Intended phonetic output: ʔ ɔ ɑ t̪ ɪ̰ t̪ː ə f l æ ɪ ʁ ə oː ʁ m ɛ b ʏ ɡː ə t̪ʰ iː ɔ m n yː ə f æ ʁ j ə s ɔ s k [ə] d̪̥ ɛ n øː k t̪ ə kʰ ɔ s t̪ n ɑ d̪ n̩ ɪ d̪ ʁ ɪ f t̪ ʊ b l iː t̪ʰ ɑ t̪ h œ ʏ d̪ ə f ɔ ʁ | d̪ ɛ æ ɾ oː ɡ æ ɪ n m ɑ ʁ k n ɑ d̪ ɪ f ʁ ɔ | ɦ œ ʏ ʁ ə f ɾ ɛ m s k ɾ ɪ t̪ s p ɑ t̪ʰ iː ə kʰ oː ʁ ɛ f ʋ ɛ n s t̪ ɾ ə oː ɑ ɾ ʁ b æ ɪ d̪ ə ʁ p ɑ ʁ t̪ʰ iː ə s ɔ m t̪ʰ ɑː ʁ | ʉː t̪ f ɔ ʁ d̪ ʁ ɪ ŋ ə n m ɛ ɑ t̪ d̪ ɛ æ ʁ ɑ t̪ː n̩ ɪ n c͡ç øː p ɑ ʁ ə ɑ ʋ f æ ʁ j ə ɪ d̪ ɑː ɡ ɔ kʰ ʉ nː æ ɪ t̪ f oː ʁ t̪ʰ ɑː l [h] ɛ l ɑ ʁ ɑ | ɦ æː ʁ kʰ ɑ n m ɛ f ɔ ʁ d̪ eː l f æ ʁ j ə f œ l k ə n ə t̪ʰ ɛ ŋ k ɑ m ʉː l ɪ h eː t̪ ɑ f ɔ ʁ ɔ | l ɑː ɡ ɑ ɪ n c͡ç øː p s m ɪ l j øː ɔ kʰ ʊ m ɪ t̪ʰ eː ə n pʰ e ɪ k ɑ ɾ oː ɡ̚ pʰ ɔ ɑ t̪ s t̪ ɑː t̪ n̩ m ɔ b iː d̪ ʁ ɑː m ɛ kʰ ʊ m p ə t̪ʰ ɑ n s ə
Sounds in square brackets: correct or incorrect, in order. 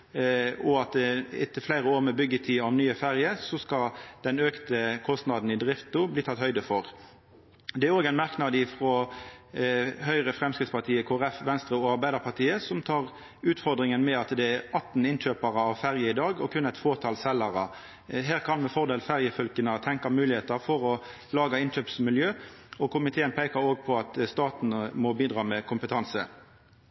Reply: incorrect: ɑ, incorrect: s

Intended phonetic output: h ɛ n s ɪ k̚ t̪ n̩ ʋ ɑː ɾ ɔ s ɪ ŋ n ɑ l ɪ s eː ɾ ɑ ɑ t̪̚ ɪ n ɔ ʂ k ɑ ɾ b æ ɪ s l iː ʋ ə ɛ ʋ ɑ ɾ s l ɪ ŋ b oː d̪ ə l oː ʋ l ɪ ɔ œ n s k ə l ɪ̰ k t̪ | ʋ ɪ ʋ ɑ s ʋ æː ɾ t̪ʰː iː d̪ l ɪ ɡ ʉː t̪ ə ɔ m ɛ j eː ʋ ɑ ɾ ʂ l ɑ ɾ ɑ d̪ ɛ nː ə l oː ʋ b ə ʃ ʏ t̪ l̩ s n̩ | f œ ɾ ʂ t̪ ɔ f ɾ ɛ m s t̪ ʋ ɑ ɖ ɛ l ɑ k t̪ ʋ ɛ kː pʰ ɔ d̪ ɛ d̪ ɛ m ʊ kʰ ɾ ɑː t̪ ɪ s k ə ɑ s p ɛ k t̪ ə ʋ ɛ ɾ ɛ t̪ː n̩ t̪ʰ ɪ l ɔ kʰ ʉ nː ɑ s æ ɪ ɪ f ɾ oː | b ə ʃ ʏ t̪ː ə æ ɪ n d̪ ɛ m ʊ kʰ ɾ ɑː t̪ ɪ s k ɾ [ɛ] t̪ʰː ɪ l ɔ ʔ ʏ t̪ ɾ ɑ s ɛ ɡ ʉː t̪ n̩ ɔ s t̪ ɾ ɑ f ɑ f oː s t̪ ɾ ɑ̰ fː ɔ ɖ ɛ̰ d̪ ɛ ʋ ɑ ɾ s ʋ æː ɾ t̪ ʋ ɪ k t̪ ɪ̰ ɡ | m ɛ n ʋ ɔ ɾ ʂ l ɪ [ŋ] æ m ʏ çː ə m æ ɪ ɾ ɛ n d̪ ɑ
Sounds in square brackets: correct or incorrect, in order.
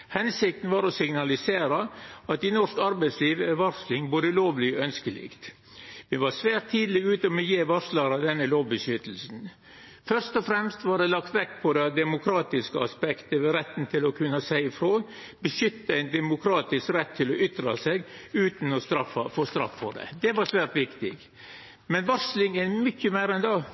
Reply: correct, correct

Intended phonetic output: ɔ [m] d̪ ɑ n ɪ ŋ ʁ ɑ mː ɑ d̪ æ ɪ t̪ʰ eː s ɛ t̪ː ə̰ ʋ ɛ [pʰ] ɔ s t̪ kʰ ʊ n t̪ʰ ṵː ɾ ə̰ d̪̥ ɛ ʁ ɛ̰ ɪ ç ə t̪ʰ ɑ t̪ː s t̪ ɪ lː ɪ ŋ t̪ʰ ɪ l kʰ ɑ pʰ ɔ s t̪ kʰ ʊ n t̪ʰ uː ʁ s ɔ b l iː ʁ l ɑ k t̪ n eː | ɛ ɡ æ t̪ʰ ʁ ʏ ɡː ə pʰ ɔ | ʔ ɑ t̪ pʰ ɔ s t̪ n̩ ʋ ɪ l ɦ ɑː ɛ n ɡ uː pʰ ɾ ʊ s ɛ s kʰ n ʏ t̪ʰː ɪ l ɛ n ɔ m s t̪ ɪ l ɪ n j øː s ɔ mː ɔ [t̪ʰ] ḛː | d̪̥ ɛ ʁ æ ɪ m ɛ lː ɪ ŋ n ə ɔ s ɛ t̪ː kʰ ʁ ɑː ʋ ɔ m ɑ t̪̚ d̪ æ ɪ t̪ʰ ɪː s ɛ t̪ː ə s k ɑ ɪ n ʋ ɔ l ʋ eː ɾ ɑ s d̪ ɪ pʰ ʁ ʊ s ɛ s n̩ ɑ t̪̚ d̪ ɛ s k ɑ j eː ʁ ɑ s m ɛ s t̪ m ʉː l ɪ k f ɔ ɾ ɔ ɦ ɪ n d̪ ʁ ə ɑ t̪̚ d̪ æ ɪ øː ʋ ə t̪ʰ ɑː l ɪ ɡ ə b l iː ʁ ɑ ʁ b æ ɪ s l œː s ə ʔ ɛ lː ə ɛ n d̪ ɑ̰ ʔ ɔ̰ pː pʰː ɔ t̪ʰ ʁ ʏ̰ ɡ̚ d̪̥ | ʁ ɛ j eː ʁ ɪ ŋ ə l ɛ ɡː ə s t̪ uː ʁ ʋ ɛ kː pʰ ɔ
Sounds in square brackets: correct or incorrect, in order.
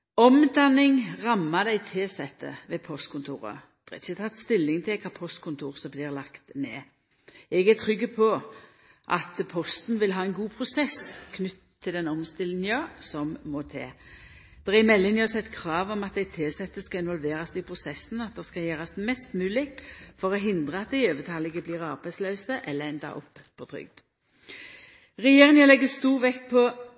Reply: correct, correct, correct

